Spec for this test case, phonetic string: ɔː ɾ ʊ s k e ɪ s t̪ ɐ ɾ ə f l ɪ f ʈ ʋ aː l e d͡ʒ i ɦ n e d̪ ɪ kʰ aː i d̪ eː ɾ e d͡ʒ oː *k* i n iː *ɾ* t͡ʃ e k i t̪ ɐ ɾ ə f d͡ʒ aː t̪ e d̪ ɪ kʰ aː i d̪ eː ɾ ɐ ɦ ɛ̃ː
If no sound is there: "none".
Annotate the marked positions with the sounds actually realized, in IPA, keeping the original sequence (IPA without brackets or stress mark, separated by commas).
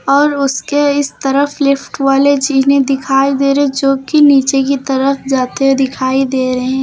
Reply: k, none